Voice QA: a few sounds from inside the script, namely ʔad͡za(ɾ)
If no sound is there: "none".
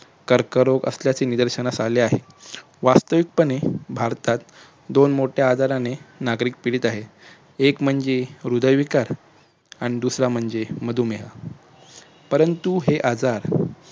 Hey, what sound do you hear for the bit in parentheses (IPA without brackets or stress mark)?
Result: ɾ